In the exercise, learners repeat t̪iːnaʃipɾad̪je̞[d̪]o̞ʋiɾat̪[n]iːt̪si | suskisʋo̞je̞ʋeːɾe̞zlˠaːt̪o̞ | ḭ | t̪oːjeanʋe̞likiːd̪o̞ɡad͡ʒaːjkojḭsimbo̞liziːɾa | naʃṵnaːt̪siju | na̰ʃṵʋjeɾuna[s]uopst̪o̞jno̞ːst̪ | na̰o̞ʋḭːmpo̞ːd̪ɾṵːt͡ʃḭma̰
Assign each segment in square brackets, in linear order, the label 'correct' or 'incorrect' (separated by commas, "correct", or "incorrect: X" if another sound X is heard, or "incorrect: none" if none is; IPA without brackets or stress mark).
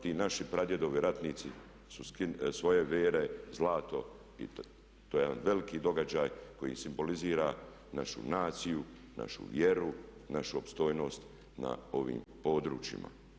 correct, correct, incorrect: ʃ